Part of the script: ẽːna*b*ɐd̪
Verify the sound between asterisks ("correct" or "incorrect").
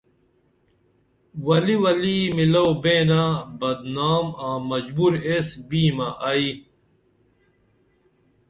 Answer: correct